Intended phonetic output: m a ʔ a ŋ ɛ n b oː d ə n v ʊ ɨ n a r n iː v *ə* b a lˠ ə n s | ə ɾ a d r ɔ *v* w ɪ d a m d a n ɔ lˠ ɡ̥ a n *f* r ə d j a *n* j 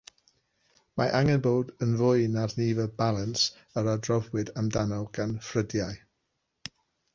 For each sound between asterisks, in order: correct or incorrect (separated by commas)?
correct, correct, correct, incorrect